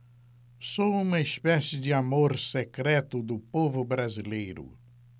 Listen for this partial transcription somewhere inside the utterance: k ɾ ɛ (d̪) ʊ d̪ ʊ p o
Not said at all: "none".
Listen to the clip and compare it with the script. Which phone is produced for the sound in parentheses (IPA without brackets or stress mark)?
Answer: t̪